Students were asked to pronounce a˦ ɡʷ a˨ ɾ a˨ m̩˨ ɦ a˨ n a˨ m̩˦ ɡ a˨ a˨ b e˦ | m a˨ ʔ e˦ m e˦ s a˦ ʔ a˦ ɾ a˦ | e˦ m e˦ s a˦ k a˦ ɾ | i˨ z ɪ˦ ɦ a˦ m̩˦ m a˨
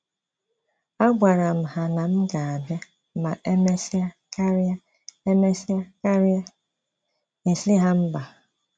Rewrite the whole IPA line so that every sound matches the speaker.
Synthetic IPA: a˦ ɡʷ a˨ ɾ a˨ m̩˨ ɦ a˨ n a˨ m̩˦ ɡ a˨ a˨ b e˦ | m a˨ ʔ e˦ m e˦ s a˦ k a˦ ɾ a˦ | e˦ m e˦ s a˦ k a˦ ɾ | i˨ s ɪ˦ ɦ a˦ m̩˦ b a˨